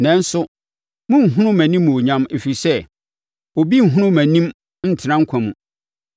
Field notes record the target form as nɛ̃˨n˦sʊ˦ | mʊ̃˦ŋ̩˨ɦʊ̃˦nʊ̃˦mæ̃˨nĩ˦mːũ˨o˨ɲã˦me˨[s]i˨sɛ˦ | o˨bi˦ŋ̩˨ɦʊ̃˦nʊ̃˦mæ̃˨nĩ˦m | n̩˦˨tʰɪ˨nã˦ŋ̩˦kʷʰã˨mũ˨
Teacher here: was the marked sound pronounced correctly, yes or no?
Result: no